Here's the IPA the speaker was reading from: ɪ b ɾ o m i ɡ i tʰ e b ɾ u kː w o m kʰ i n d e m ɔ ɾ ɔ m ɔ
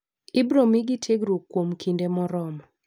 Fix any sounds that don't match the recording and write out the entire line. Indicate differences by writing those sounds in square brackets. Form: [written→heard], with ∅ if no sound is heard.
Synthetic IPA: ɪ b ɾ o m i ɡ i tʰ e [b→ɡ] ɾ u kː w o m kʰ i n d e m ɔ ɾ ɔ m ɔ